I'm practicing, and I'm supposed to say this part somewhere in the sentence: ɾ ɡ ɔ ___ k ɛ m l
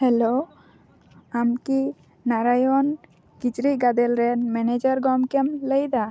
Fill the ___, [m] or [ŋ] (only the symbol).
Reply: m